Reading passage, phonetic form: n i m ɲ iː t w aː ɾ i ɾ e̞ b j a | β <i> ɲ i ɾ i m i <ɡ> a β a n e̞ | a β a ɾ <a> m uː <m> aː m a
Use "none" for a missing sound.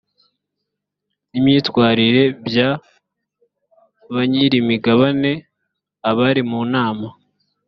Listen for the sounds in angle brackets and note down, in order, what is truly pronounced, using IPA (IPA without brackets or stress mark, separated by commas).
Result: a, ɡ, i, n